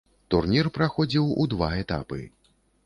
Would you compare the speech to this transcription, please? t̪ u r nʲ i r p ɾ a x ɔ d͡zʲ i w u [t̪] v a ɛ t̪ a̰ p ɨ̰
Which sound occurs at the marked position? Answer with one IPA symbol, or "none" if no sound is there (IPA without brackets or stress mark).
d̪